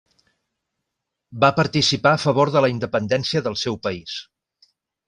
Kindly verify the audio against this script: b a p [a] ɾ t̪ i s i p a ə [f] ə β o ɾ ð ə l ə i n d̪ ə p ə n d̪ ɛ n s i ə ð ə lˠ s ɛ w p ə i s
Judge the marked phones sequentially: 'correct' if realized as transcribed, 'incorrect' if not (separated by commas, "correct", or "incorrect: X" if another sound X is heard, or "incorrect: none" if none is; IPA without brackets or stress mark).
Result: incorrect: ə, correct